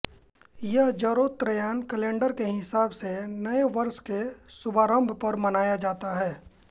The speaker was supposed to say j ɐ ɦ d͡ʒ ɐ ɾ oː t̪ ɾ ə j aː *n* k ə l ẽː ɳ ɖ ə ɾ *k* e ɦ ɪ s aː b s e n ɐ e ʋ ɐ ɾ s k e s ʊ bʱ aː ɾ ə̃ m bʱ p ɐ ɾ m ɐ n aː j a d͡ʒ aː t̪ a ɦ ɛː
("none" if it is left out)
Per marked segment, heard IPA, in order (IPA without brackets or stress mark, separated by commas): n, k